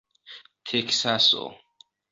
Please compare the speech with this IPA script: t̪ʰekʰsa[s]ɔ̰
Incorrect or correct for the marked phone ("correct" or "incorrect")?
correct